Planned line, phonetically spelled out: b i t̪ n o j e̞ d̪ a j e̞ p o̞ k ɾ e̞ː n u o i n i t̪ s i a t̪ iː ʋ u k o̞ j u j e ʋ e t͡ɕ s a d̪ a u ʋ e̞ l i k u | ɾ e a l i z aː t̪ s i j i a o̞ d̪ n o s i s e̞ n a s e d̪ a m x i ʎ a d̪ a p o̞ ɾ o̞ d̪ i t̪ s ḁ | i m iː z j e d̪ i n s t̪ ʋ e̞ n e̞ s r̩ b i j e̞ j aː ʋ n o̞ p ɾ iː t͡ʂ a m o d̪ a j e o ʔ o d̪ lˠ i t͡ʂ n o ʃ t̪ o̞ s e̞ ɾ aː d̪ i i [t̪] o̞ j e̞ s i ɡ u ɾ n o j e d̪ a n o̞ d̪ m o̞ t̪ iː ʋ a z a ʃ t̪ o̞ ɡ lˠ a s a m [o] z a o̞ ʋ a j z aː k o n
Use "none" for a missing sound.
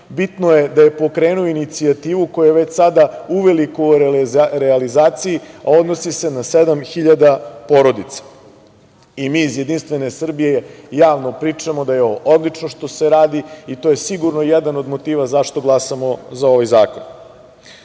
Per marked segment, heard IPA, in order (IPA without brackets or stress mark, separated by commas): t̪, o